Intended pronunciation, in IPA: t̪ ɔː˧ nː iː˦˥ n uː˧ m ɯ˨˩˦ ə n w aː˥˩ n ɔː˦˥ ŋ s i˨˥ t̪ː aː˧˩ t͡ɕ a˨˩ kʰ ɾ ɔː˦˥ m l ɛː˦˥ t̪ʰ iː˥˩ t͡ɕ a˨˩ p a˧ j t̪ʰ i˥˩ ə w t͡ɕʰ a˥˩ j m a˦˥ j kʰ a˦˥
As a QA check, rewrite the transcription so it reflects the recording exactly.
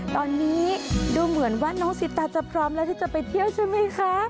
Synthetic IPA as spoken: t̪ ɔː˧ nː iː˦˥ d uː˧ m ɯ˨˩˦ ə n w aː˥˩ n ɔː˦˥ ŋ s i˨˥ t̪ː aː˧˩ t͡ɕ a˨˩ pʰ ɾ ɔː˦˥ m l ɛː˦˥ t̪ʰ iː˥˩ t͡ɕ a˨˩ p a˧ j t̪ʰ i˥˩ ə w t͡ɕʰ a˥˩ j m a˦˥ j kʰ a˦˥

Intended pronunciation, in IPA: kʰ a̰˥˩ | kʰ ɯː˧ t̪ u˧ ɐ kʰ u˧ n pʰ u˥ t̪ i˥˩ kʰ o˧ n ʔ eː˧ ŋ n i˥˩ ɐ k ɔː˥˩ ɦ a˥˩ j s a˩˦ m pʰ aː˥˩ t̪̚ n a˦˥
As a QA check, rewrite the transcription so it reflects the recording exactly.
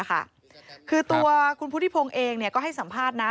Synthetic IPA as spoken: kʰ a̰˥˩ | kʰ ɯː˧ t̪ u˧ ɐ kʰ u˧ n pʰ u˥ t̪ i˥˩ pʰ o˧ ŋ ʔ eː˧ ŋ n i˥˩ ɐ k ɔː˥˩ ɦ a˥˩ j s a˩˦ m pʰ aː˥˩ t̪̚ n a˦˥

